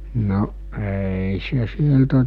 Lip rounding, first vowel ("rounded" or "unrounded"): rounded